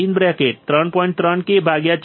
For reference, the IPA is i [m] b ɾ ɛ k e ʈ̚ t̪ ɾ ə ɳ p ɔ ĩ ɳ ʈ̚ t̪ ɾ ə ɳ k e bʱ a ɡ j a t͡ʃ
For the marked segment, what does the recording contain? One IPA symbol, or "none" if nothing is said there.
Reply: n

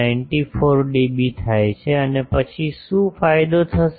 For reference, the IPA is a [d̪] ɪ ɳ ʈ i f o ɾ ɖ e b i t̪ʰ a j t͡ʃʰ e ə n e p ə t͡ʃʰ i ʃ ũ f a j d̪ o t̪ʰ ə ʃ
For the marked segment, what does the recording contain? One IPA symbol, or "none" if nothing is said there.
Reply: none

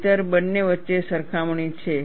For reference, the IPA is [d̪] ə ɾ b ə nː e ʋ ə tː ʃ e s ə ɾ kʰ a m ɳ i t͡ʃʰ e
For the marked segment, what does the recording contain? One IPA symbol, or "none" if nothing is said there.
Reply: t̪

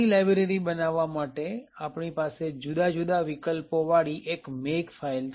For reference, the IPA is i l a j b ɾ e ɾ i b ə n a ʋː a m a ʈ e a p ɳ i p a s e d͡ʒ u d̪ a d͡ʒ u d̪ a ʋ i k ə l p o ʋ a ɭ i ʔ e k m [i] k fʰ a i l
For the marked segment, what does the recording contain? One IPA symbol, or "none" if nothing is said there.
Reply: e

